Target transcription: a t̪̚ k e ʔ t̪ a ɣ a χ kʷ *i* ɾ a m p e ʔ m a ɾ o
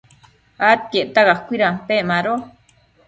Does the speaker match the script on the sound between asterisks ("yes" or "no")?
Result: yes